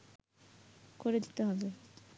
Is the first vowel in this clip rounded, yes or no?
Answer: yes